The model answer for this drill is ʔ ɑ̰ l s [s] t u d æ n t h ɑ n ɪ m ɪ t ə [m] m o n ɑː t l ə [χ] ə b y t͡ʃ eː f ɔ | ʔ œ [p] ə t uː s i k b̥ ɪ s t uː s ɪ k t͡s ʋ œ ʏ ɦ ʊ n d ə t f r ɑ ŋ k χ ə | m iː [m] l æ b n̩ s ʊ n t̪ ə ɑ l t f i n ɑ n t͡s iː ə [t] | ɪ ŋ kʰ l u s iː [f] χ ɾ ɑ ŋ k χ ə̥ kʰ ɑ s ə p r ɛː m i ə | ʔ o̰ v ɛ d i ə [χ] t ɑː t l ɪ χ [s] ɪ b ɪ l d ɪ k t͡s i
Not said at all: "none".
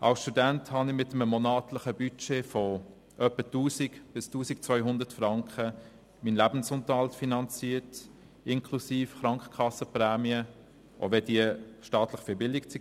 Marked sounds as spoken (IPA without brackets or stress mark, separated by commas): ʃ, m, χ, p, n, t, f, ʃ, f